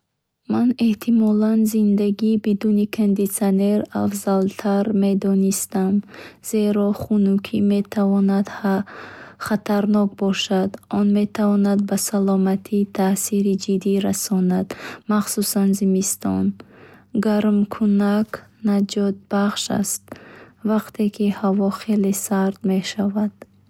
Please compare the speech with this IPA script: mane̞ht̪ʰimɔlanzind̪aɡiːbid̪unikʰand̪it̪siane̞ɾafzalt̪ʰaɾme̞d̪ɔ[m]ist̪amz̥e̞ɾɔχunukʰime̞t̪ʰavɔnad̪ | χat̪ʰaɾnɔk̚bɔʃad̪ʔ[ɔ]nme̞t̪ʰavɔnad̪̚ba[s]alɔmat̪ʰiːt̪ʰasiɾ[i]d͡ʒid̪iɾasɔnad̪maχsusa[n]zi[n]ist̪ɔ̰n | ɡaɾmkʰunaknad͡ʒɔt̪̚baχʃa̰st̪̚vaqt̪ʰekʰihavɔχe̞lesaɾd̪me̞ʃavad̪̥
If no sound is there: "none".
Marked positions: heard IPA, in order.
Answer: n, ɔ, s, i, n, m

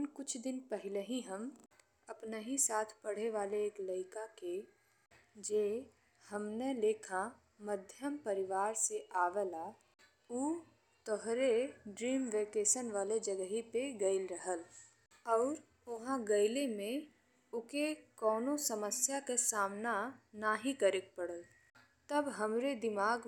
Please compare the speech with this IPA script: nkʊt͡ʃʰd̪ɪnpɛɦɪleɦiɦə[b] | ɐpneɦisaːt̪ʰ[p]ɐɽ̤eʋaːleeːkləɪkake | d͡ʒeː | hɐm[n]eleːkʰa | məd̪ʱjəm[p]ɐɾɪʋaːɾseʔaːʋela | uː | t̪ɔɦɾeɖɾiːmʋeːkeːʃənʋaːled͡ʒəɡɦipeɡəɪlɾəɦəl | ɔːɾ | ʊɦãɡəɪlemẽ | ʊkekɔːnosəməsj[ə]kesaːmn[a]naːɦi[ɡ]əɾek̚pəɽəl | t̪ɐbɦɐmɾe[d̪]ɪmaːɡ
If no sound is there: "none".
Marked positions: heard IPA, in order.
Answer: m, p, n, p, a, a, k, d̪

